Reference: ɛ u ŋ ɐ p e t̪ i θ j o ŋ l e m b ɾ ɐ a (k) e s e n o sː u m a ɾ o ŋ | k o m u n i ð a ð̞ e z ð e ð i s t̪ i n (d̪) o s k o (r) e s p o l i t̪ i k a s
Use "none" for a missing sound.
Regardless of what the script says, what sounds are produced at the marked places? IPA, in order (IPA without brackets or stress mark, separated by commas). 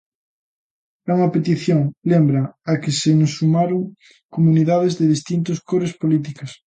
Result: k, t̪, ɾ